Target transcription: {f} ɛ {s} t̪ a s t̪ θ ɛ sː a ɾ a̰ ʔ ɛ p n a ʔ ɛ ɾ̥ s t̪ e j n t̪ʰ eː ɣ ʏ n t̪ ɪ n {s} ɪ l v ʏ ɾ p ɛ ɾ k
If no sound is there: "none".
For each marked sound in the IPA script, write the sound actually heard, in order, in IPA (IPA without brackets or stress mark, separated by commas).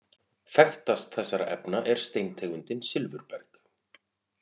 f, x, s